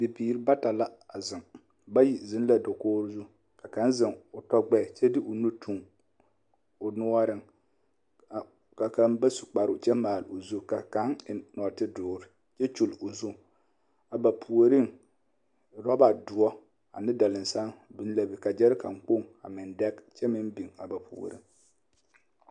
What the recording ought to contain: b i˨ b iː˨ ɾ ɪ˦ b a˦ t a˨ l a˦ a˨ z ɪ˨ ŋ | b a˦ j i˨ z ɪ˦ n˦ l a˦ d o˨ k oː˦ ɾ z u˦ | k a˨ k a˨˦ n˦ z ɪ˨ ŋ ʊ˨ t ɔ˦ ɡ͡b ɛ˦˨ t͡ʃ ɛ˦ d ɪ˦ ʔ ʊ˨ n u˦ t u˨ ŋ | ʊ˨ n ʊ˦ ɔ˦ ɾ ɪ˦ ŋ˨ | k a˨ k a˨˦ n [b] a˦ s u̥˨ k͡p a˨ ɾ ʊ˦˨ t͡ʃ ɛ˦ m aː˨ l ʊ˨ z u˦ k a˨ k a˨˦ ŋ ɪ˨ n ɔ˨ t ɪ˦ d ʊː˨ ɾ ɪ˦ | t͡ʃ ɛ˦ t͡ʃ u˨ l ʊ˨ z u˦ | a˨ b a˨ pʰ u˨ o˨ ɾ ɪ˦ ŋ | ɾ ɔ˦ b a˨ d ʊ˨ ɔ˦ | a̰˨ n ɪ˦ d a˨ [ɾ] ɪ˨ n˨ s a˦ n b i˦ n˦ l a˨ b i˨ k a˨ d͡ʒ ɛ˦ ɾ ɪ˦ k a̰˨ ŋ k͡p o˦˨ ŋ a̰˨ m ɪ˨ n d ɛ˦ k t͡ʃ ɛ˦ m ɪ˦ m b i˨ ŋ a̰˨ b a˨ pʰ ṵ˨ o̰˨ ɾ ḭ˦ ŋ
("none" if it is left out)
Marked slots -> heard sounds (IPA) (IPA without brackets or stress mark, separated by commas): b, l